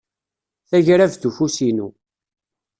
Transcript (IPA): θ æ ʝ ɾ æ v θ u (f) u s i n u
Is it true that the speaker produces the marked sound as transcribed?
yes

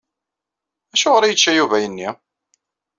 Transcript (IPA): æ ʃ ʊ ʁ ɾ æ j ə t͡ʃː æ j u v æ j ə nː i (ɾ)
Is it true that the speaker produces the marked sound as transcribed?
no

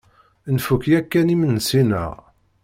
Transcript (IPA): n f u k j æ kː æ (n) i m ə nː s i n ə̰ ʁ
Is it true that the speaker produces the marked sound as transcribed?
yes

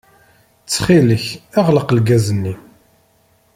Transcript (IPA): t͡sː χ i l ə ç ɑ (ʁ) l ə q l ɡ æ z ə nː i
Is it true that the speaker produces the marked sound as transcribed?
yes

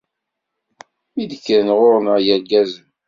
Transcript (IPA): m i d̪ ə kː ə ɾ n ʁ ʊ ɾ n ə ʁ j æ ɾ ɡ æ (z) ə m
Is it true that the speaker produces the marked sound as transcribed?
yes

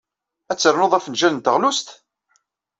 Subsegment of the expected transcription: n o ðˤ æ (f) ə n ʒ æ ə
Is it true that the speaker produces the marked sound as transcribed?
yes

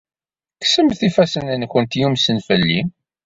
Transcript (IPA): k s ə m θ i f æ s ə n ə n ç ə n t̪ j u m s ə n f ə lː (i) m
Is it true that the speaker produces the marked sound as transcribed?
yes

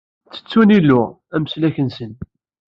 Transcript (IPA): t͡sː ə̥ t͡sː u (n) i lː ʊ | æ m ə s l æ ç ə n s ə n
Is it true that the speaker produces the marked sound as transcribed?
yes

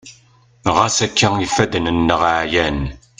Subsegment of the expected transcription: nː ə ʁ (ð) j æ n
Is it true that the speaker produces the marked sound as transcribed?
no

